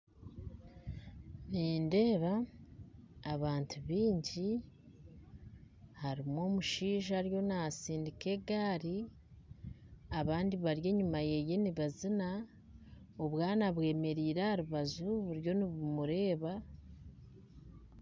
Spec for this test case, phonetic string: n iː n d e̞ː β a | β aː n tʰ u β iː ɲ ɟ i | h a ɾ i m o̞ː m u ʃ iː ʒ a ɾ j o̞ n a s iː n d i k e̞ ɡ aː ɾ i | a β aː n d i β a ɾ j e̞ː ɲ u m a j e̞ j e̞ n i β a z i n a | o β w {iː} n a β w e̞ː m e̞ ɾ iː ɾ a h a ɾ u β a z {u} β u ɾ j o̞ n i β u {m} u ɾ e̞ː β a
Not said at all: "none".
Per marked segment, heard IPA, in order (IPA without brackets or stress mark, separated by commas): aː, u, m